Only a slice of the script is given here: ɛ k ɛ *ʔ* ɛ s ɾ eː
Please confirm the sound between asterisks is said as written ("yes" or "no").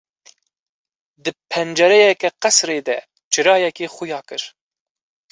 no